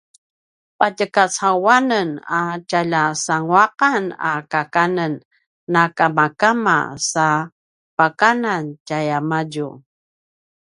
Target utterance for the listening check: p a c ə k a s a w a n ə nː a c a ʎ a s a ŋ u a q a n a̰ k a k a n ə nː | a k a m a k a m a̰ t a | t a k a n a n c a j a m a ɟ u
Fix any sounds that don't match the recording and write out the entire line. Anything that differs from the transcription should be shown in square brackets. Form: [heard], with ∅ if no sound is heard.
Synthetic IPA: p a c ə k a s a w a n ə [n] a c a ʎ a s a ŋ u a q a n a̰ k a k a n ə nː | a k a m a k a m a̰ [s] a | [p] a k a n a n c a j a m a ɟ u